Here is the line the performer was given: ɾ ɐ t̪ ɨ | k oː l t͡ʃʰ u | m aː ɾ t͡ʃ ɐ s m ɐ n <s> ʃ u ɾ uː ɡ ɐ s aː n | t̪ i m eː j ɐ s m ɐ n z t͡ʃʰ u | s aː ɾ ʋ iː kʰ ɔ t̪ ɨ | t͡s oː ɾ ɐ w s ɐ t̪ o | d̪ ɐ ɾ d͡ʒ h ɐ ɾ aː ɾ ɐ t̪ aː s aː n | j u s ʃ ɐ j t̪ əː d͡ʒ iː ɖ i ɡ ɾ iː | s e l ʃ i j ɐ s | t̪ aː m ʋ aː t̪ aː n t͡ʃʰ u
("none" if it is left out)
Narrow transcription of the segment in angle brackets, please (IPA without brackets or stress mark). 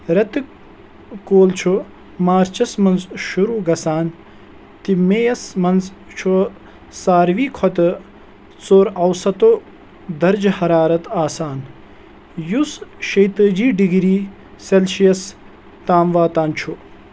z